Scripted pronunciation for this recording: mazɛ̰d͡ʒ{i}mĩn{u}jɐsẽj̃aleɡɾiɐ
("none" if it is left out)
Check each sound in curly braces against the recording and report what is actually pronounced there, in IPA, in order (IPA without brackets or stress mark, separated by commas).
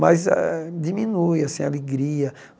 i, u